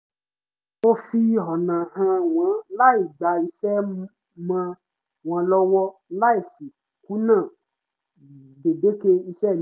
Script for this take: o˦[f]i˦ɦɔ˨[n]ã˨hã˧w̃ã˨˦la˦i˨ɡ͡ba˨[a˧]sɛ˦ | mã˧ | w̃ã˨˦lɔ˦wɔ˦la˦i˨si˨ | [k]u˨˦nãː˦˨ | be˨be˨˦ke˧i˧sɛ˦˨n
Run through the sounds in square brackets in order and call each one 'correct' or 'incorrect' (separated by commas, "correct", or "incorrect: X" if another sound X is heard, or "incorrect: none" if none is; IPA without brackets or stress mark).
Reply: correct, correct, incorrect: i˧, correct